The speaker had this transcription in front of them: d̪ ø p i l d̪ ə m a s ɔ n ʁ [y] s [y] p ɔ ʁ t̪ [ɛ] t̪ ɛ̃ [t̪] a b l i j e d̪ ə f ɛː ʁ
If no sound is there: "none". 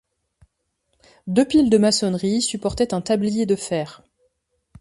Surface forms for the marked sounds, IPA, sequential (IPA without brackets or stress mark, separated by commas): i, y, ɛ, t̪